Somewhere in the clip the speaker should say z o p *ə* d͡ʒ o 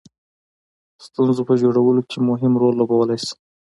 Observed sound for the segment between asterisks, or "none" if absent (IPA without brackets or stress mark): ə